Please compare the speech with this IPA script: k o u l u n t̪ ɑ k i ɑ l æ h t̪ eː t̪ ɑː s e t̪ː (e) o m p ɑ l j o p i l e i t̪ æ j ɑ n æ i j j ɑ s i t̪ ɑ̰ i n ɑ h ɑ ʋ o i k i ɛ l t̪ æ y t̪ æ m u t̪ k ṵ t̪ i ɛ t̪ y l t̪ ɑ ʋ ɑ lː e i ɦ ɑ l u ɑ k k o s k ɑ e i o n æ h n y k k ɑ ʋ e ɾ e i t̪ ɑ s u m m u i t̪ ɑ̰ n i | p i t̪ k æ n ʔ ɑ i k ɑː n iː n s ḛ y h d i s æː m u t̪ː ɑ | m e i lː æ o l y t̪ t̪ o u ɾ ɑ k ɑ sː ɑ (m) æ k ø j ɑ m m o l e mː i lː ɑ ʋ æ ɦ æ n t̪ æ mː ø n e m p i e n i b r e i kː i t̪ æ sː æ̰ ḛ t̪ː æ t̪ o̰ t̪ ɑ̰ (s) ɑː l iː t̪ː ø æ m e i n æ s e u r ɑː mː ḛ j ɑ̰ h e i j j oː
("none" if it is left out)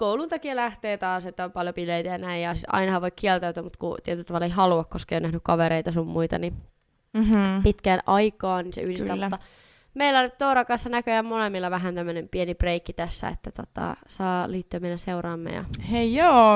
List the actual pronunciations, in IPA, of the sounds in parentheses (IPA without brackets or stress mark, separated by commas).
æ, n, s